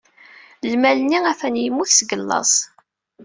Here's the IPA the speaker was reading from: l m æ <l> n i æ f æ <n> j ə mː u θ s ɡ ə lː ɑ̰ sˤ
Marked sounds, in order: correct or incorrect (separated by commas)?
correct, correct